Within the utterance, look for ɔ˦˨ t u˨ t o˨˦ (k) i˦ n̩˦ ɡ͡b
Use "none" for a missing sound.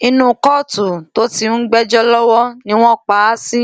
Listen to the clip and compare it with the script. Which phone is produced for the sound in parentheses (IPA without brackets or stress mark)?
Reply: t